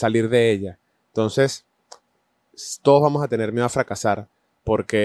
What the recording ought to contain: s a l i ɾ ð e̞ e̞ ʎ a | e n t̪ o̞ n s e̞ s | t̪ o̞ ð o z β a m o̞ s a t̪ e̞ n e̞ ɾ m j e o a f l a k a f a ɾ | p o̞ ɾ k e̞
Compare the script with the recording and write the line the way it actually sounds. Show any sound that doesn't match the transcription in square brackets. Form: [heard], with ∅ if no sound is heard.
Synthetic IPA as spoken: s a l i ɾ ð e̞ e̞ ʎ a | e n t̪ o̞ n s e̞ s | t̪ o̞ ð o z β a m o̞ s a t̪ e̞ n e̞ ɾ m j e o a f [ɾ] a k a [s] a ɾ | p o̞ ɾ k e̞